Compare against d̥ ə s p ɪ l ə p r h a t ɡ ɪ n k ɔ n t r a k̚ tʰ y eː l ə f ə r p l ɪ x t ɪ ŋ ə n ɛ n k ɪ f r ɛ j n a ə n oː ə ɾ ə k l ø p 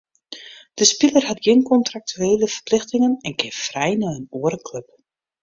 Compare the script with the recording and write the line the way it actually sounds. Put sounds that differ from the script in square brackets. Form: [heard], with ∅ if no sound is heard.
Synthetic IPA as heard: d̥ ə s p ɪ l ə [∅] r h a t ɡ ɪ n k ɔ n t r a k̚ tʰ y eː l ə f ə r p l ɪ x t ɪ ŋ ə n ɛ n k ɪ f r ɛ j n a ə n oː ə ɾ ə k l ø p